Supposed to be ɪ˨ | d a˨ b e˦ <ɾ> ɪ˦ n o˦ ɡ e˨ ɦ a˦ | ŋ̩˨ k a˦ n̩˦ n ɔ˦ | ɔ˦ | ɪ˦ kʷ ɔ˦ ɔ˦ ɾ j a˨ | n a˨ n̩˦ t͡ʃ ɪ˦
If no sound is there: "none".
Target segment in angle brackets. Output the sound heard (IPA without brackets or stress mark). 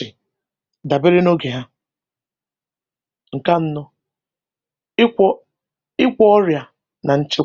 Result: ɾ